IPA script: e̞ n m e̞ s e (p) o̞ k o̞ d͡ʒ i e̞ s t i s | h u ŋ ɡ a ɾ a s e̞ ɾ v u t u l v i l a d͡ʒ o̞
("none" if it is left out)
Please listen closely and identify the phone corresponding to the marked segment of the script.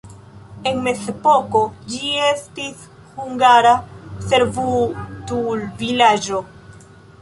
p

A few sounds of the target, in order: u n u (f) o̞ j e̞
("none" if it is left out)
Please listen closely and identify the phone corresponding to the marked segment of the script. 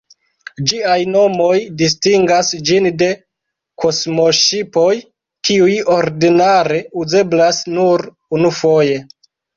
f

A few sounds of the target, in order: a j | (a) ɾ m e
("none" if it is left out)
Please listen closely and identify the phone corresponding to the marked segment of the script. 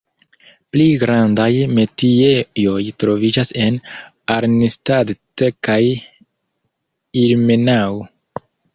i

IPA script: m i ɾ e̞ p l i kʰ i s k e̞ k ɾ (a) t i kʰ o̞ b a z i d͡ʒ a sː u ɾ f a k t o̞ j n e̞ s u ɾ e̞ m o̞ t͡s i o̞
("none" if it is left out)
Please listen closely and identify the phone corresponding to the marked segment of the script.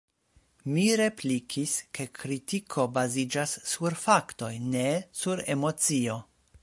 i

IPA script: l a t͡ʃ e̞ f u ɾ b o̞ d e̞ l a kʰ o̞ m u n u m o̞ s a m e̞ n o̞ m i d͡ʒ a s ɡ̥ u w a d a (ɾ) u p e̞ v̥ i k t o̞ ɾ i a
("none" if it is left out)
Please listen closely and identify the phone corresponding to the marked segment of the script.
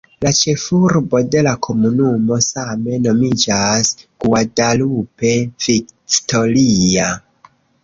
l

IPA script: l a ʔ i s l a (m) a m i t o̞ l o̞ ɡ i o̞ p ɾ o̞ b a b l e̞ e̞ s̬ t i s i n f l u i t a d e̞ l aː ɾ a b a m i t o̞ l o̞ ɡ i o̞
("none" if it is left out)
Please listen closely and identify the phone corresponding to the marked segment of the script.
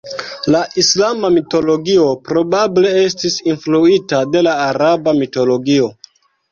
m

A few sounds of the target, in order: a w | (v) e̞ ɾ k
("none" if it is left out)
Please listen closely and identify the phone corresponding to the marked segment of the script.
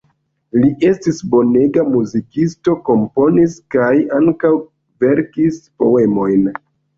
v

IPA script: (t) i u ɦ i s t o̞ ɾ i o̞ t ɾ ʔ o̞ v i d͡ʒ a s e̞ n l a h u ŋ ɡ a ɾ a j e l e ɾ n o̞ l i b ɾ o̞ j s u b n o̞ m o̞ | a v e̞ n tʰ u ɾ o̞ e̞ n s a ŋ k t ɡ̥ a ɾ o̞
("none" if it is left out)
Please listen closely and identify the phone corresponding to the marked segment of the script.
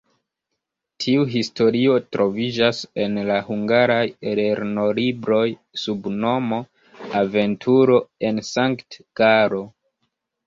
tʰ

